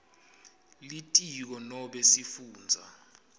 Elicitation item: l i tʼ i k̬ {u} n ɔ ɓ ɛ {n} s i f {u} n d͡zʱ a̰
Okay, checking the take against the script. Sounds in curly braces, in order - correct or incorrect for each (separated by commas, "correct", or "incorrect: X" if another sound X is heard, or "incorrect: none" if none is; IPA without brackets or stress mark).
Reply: incorrect: ɔ, incorrect: none, incorrect: uː